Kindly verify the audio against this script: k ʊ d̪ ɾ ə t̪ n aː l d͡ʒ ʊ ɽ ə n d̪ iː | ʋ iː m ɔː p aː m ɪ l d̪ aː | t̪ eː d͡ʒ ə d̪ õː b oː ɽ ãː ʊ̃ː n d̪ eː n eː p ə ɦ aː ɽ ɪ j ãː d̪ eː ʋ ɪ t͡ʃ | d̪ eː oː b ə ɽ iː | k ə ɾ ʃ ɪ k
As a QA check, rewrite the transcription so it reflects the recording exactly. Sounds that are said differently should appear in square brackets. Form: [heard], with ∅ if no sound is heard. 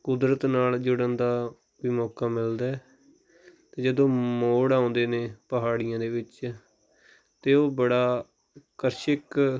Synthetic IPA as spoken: k ʊ d̪ ɾ ə t̪ n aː l d͡ʒ ʊ ɽ ə n d̪ [aː] | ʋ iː m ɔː [k] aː m ɪ l d̪ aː | t̪ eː d͡ʒ ə d̪ õː [m] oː ɽ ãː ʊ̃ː n d̪ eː n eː p ə ɦ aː ɽ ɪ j ãː d̪ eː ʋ ɪ t͡ʃ | [t̪] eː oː b ə ɽ [aː] | k ə ɾ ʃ ɪ k